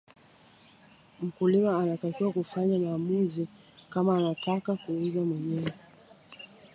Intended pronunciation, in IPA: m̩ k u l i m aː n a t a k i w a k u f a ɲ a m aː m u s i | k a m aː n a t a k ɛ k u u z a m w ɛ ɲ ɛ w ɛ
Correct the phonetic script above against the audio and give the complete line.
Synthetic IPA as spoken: m̩ k u l i m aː n a t a k i w a k u f a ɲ a m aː m u z i | k a m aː n a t a k a k u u z a m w ɛ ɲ ɛ w ɛ